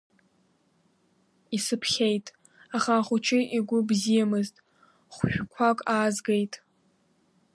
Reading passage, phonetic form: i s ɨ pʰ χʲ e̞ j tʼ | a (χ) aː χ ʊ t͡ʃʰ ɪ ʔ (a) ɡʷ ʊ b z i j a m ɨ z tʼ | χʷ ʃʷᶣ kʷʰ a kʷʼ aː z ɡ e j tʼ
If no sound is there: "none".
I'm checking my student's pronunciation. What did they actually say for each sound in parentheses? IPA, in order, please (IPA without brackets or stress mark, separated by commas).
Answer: χ, i